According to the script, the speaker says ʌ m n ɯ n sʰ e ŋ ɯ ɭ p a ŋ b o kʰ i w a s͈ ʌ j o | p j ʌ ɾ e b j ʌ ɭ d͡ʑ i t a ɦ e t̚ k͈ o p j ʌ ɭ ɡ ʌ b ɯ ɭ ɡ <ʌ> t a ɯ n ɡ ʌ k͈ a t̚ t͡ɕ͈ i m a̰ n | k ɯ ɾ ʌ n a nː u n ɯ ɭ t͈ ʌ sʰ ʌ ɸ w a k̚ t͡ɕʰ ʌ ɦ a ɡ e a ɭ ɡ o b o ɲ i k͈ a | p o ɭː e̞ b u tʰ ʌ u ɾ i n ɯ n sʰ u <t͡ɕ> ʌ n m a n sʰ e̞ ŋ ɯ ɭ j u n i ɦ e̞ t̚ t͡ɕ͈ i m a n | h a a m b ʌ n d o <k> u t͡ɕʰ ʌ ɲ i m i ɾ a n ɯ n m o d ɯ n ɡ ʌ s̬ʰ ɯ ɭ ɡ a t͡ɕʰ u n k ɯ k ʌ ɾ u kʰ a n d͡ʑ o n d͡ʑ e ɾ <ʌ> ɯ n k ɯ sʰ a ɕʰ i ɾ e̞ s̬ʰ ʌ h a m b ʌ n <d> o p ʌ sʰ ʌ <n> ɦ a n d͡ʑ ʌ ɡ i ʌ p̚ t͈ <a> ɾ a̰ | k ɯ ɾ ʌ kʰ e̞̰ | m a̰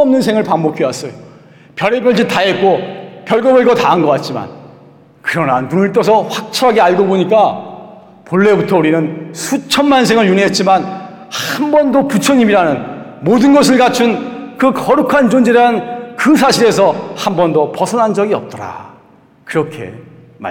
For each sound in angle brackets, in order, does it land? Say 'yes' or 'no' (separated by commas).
yes, no, no, no, yes, yes, no